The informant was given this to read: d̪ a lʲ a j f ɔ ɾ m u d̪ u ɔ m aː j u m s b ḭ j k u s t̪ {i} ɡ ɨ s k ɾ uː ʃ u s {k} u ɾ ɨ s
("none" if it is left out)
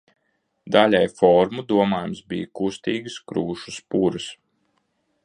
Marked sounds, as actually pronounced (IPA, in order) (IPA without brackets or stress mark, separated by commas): iː, p